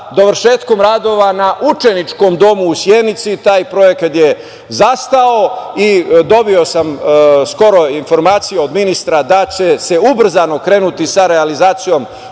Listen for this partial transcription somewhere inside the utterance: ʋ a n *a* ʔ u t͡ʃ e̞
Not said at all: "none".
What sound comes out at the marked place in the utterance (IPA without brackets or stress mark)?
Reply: a